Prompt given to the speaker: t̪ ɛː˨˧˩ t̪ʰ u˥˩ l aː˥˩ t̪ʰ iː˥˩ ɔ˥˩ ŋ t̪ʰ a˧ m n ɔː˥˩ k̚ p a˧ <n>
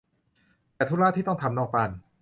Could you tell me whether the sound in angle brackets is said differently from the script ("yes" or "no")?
no